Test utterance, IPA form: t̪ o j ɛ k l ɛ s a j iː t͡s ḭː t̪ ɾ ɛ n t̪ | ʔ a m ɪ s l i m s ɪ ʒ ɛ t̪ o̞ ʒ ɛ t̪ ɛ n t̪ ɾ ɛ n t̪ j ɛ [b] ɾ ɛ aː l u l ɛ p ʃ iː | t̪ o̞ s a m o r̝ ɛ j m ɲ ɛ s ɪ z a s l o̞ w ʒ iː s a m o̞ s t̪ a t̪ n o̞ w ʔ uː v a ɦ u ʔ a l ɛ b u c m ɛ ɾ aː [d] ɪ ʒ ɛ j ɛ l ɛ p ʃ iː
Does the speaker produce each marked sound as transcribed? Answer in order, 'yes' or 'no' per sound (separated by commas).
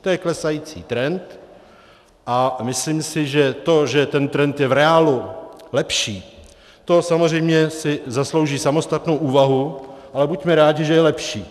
no, no